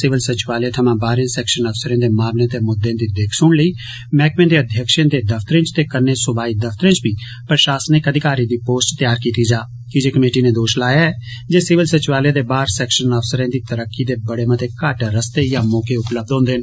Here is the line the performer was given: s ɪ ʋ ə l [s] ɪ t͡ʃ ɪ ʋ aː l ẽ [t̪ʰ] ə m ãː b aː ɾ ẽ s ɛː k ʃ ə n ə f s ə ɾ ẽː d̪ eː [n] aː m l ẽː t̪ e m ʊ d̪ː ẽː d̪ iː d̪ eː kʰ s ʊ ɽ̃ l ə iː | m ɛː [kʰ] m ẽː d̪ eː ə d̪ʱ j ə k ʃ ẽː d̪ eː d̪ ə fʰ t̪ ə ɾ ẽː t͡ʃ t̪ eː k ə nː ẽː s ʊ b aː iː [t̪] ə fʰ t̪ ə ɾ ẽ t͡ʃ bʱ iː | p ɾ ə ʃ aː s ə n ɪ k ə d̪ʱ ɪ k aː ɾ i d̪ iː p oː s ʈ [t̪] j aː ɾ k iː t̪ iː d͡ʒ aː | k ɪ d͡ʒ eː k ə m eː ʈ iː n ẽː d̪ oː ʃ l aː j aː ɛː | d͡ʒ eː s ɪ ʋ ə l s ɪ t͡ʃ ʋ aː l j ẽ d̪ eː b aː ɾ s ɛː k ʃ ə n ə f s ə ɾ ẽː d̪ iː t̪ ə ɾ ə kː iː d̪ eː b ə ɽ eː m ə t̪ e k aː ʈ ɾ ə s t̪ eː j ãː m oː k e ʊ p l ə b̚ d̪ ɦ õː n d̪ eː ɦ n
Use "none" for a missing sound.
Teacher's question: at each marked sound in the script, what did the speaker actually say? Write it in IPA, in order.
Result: s, t̪ʰ, m, k, d̪, t̪

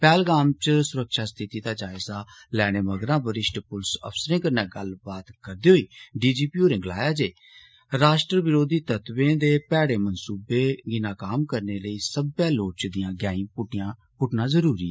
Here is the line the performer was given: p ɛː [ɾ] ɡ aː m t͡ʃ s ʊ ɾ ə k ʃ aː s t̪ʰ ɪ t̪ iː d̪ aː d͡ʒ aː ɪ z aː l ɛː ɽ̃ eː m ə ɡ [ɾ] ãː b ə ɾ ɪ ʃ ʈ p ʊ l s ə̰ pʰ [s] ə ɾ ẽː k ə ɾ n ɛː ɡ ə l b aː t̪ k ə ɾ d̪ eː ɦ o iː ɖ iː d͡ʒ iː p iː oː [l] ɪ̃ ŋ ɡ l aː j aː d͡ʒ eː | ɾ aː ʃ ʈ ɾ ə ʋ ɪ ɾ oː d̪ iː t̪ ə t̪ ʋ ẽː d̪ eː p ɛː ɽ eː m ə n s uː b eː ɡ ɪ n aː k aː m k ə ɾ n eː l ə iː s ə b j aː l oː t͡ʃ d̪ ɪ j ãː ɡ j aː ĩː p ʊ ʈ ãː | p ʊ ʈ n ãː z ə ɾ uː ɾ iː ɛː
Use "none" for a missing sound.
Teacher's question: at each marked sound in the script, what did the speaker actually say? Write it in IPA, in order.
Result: l, ɾ, s, ɾ

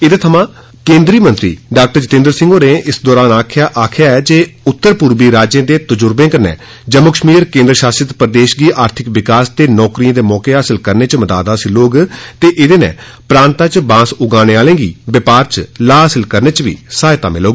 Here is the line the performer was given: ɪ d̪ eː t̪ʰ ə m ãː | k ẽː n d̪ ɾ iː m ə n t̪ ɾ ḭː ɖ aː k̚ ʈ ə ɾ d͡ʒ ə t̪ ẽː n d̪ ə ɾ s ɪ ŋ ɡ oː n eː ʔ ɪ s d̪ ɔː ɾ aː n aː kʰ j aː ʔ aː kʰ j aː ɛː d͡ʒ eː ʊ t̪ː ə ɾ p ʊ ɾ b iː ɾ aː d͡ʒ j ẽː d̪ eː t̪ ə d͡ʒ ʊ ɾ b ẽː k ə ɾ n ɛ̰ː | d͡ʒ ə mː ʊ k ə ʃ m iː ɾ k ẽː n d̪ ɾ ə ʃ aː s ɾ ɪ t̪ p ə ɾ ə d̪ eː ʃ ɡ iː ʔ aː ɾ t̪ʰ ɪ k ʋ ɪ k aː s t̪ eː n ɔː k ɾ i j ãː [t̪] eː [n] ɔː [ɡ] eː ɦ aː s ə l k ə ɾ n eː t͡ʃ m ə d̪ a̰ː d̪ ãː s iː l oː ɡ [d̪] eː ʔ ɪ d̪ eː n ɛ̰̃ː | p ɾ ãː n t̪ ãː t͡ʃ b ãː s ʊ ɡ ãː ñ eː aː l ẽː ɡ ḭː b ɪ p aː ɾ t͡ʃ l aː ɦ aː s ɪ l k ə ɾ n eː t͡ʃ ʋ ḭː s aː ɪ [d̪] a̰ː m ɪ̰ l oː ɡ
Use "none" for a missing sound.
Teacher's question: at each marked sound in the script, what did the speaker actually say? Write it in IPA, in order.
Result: d̪, m, k, t̪, t̪

